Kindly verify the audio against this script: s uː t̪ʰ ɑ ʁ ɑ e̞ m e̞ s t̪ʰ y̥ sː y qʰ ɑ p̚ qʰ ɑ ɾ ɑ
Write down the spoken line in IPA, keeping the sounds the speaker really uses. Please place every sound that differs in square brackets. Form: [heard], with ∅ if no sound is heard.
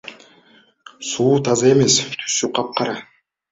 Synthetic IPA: s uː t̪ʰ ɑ [z] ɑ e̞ m e̞ s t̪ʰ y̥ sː y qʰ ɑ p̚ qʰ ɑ ɾ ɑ